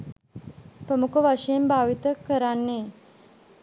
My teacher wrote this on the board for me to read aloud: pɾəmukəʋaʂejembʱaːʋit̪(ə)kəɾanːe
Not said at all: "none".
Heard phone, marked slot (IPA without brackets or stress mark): ə